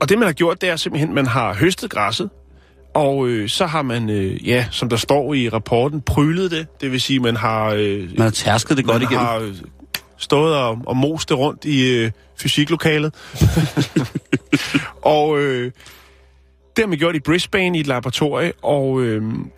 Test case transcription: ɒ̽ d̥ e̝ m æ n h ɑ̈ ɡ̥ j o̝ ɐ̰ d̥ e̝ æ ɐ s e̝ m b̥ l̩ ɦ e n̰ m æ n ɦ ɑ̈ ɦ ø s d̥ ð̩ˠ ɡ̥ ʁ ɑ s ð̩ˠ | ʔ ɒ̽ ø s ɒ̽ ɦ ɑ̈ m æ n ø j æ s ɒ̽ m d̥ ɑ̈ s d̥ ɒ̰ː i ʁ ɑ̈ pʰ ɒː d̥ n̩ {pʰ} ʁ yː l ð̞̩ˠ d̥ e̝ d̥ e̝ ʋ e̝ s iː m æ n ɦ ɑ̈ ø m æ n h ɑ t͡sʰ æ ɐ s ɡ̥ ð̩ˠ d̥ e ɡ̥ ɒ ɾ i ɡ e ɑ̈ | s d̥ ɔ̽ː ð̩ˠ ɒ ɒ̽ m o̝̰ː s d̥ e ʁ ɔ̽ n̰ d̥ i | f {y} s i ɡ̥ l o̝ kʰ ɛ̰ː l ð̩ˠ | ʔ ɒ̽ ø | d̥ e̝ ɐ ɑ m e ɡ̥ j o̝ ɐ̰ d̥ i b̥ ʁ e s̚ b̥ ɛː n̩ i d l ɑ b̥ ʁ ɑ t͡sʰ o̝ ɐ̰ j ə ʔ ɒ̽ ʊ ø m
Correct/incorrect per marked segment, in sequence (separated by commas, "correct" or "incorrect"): correct, correct